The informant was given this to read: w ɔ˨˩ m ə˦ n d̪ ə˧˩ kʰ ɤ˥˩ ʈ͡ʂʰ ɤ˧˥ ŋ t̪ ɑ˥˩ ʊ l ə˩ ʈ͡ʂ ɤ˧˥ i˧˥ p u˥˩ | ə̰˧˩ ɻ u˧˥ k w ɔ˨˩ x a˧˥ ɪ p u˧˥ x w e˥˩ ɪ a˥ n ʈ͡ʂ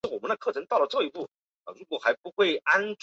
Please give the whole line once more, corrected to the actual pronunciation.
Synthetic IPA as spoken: w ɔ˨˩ m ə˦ n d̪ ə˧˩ kʰ ɤ˥˩ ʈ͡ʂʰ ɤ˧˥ ŋ t̪ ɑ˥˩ ʊ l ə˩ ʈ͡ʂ ɤ˥˧˩ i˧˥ p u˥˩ | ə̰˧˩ ɻ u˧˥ k w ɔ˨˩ x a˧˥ ɪ p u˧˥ x w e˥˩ ɪ a˥ n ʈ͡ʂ